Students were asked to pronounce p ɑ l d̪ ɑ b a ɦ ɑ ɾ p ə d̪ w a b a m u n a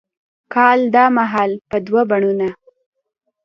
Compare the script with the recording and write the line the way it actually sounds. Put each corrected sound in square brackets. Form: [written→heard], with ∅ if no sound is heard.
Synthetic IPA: [p→k] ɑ l d̪ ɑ [b→m] a ɦ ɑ [ɾ→l] p ə d̪ w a b a [m→ɳ] u n a

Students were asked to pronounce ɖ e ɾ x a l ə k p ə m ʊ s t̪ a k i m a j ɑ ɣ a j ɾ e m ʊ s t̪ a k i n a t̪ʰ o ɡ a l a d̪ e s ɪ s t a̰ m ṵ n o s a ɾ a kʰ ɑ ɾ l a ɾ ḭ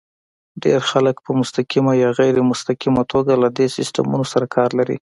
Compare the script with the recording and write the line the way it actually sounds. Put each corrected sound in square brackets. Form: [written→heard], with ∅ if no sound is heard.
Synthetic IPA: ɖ e ɾ x a l ə k p ə m ʊ s t̪ a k i m a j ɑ ɣ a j ɾ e m ʊ s t̪ a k i [n→m] a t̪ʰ o ɡ a l a d̪ e s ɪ s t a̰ m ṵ n o s a ɾ a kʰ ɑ ɾ l a ɾ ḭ

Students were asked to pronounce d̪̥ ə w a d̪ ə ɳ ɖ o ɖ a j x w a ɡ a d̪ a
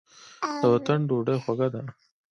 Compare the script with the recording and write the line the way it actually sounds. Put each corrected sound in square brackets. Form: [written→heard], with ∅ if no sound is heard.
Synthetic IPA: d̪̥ ə w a [d̪→t̪] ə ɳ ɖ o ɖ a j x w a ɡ a d̪ a

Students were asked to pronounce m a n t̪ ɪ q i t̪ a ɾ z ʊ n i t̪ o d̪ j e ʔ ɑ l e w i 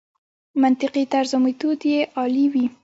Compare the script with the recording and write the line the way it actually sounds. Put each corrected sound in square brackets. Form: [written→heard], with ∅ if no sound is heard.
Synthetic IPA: m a n t̪ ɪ q i t̪ a ɾ z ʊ [n→m] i t̪ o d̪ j e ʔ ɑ l [e→i] w i

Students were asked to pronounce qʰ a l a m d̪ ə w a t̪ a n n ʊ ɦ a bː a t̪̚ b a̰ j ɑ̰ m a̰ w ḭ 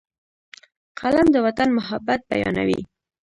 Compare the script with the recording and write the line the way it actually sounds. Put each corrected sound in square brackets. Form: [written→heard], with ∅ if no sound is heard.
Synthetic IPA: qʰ a l a m d̪ ə w a t̪ a n [n→m] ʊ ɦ a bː a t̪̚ b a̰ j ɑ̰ [m→n] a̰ w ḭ

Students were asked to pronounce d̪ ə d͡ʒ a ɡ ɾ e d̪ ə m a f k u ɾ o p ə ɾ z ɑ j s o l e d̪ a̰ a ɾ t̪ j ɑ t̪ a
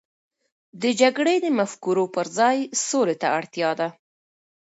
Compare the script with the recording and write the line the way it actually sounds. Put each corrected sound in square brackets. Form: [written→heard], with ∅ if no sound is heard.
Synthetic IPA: d̪ ə d͡ʒ a ɡ [ɾ→ɽ] e d̪ ə m a f k u ɾ o p ə ɾ z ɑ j s o l e [d̪→t̪] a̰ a [ɾ→ɽ] t̪ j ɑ [t̪→d̪] a

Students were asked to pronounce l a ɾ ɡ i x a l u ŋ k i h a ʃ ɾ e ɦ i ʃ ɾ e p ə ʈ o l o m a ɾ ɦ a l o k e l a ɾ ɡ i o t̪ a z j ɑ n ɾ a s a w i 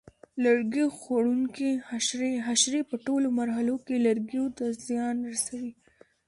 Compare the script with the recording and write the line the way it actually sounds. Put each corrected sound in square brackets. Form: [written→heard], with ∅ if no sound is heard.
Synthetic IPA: l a ɾ ɡ i x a [l→ɽ] u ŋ k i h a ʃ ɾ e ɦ [i→a] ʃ ɾ e p ə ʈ o l o m a ɾ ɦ a l o k e l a ɾ ɡ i o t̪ a z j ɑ n ɾ a s a w i

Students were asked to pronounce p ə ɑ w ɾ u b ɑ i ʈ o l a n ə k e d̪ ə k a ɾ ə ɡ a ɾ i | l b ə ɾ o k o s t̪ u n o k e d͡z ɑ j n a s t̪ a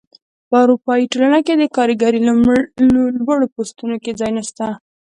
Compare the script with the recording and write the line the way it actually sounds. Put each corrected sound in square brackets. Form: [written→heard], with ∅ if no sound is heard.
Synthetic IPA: p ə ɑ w ɾ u [b→p] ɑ i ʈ o l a n [ə→a] k e d̪ ə k [a→ɑ] ɾ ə ɡ a ɾ i | l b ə [ɾ→ɽ] o [k→p] o s t̪ u n o k e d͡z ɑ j n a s t̪ a

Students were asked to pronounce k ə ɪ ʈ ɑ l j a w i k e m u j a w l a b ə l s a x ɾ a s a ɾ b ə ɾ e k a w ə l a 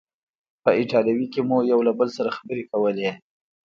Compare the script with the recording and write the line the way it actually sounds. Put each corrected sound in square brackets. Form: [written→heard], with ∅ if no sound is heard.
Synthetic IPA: [k→p] ə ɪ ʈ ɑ l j a w i k e m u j a w l a b ə l s a [x→∅] ɾ a [s→x] a [ɾ→∅] b ə ɾ e k a w ə l [a→e]

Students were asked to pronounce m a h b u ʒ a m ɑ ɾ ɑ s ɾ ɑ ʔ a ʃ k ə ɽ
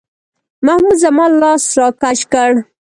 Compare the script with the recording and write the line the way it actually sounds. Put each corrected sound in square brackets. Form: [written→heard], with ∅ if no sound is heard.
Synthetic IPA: m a h [b→m] u [ʒ→z] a m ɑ [ɾ→l] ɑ s ɾ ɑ [ʔ→k] a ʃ k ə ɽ

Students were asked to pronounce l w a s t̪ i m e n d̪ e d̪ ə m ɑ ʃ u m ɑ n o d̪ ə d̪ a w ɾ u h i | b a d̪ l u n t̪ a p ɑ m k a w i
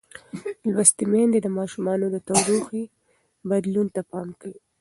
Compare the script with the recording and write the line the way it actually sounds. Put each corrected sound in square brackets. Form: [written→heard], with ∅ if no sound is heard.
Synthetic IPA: l w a s t̪ i m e n d̪ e d̪ ə m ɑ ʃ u m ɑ n o d̪ ə [d̪→t̪] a w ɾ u [h→x] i | b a d̪ l u n t̪ a p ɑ m k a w i

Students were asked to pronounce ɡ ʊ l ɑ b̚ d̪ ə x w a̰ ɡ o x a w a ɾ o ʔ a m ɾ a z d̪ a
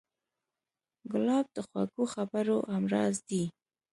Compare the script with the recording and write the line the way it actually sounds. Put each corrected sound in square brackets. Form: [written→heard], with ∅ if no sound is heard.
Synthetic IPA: ɡ ʊ l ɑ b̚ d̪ ə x w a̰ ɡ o x a [w→b] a ɾ o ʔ a m ɾ [a→ɑ] z d̪ [a→i]

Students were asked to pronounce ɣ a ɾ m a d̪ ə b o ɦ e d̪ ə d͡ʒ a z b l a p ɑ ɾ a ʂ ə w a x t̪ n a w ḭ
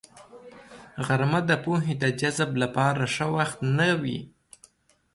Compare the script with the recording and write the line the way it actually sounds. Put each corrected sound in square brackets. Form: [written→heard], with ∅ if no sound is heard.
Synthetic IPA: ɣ a ɾ m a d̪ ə [b→p] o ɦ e d̪ ə d͡ʒ a z b l a p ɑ ɾ a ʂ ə w a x t̪ n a w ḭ

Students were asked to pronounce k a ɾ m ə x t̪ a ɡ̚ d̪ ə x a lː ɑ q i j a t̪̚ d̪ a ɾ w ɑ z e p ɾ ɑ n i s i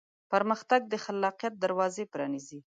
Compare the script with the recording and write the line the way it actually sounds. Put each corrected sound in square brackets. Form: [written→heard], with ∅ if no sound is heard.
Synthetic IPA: [k→p] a ɾ m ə x t̪ a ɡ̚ d̪ ə x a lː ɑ q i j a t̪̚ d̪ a ɾ w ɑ z e p ɾ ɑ n i [s→z] i

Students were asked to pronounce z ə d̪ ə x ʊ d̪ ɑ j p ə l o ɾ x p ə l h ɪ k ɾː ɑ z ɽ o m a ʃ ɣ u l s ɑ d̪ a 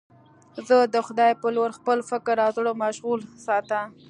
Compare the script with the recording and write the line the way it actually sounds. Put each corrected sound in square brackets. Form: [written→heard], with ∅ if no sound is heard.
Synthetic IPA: z ə d̪ ə x ʊ d̪ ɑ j p ə l o ɾ x p ə l [h→f] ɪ k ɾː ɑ z ɽ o m a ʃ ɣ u l s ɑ [d̪→t̪] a

